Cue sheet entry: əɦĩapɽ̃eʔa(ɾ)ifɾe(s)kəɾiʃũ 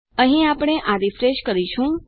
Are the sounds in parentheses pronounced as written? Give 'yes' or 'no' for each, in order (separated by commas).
yes, no